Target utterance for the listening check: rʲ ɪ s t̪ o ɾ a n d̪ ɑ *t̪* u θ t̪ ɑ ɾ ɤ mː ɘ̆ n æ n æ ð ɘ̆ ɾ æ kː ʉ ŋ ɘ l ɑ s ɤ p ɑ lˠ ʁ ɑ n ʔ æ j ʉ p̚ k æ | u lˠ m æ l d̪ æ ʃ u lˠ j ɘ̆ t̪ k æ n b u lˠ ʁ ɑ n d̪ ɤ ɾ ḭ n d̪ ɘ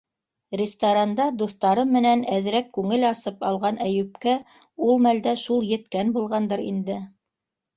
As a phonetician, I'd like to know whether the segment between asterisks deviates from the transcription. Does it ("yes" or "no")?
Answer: yes